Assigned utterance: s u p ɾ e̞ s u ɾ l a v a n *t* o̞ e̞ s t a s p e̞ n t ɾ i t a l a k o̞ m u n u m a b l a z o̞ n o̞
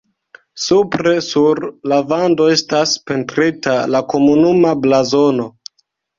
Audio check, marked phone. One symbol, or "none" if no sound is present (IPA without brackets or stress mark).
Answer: d